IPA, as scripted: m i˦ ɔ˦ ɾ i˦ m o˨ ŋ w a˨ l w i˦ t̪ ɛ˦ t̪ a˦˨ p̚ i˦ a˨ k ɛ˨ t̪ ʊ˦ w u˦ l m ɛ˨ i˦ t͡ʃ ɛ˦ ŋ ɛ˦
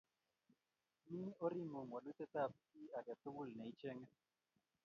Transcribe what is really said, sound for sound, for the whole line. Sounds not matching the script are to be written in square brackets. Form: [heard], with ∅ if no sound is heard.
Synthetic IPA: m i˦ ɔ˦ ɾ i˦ m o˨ ŋ w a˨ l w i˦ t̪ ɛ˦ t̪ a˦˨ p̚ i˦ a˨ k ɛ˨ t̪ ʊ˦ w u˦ l [n] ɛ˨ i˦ t͡ʃ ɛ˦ ŋ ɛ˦